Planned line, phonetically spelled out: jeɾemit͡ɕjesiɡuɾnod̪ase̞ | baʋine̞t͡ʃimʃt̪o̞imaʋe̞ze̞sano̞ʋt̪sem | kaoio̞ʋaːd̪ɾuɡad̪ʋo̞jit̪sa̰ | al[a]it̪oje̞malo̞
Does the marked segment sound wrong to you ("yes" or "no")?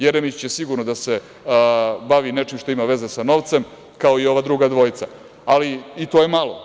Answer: yes